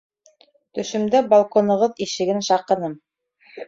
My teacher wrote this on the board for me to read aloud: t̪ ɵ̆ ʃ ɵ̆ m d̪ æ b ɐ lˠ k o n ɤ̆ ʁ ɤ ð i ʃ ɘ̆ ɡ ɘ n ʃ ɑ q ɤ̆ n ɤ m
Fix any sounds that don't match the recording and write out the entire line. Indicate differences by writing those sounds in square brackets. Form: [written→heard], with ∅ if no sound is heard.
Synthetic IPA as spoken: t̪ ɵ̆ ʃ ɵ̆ m d̪ æ b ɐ lˠ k o n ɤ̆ ʁ ɤ ð i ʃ ɘ̆ ɡ ɘ n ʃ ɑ q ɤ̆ n ɤ m